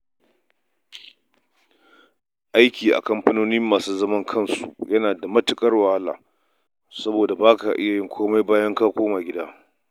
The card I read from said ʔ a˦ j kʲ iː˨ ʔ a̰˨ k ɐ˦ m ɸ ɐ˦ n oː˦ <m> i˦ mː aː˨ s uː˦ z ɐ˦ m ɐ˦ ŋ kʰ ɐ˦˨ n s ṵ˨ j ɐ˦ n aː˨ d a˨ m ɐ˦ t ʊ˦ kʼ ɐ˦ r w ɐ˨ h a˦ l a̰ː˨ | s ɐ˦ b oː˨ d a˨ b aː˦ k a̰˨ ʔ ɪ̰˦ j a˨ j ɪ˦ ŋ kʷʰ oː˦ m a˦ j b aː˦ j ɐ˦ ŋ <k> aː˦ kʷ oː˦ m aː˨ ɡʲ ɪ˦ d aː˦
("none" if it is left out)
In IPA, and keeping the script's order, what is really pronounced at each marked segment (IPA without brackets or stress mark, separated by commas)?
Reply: n, k